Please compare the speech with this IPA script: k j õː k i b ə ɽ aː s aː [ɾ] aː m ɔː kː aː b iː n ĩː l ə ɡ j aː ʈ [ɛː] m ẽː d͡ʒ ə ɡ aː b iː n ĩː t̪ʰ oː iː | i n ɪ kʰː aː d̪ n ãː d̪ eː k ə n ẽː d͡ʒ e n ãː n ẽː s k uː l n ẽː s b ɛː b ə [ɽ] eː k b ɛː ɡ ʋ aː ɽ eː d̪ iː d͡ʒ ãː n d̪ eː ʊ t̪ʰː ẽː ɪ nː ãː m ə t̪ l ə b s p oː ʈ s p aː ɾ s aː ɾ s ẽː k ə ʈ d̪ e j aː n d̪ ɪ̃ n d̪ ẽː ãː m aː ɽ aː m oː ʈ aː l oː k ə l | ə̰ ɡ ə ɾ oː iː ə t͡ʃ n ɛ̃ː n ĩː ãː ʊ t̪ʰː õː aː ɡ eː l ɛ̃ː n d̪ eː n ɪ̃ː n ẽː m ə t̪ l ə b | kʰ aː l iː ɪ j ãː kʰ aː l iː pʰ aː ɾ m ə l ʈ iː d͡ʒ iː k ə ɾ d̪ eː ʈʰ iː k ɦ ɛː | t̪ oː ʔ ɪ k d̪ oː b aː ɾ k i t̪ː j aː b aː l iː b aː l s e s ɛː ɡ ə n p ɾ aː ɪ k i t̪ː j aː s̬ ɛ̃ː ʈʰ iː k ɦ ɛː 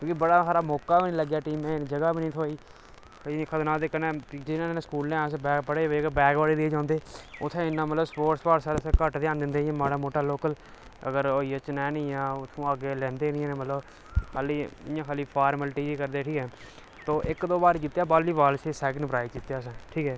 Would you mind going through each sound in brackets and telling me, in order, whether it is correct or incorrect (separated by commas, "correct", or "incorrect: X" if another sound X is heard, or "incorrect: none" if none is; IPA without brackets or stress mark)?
correct, incorrect: iː, correct